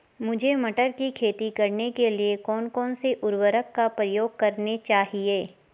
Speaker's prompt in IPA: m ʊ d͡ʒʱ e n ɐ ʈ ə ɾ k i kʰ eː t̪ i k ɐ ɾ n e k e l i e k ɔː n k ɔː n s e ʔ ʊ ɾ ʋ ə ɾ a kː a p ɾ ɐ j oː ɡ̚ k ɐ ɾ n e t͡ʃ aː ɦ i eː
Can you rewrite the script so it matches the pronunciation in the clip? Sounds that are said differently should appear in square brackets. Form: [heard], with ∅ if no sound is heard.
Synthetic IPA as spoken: m ʊ d͡ʒʱ e [m] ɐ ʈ ə ɾ k i kʰ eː t̪ i k ɐ ɾ n e k e l i e k ɔː n k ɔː n s e ʔ ʊ ɾ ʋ ə ɾ [ə] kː a p ɾ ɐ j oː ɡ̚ k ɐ ɾ n e t͡ʃ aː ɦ i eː